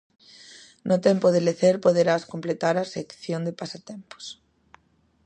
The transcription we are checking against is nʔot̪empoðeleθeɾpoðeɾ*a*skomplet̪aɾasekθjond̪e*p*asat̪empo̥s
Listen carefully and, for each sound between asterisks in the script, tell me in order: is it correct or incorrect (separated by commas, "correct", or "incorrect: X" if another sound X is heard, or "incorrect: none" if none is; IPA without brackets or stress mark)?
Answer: correct, correct